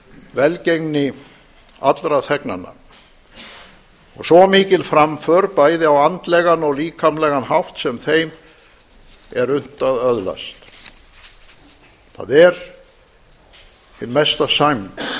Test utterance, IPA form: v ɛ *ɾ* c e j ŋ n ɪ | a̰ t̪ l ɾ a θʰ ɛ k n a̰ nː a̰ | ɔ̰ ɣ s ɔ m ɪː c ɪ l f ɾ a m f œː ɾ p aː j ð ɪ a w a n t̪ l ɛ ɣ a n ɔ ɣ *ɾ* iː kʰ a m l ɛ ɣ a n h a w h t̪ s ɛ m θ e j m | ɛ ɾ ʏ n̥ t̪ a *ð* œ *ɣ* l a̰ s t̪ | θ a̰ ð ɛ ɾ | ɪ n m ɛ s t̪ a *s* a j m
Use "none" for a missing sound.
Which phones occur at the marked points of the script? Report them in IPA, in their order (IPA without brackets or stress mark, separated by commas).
l, l, ð, ð, s